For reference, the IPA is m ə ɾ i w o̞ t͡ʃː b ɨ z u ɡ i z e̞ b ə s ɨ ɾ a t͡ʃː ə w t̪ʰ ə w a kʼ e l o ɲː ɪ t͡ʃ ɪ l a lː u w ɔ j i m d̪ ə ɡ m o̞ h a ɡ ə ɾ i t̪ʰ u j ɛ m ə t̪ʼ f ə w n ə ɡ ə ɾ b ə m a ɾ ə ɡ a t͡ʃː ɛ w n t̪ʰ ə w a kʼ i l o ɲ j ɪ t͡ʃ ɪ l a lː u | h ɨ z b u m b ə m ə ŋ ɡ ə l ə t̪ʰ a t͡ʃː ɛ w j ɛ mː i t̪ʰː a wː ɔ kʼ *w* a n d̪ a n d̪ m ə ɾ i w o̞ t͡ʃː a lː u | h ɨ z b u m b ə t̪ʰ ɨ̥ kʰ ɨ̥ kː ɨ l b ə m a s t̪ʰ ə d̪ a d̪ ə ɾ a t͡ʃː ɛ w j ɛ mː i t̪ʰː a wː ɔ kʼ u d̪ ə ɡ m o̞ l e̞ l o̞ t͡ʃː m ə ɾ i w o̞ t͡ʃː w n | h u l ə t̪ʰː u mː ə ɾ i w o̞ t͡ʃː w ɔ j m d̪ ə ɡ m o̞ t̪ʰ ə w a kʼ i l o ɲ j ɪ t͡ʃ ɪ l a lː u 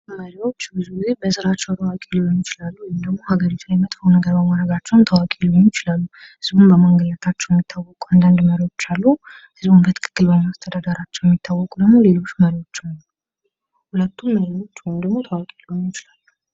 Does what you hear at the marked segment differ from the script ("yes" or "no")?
yes